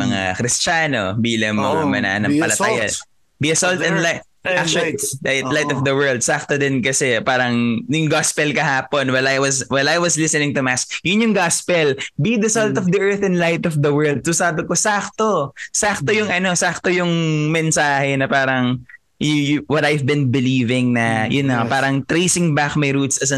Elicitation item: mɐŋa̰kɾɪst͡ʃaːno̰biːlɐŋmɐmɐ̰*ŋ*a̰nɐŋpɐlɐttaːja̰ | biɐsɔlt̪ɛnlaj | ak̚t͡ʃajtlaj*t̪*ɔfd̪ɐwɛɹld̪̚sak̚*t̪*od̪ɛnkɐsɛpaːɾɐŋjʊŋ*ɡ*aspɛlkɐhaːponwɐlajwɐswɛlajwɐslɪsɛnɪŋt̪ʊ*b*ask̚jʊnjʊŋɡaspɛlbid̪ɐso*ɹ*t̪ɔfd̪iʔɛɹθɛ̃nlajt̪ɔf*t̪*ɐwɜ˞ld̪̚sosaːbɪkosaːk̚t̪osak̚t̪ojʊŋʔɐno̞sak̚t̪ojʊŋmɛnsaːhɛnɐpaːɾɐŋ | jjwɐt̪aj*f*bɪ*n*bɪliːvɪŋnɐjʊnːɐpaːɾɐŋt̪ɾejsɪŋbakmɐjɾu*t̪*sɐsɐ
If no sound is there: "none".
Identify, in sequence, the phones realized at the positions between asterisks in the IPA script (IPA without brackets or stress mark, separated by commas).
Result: n, t̪, t̪, ɡ, m, l, d̪, v, n, t̪